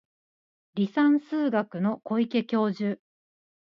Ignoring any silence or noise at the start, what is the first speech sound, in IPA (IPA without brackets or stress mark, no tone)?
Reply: ɾʲ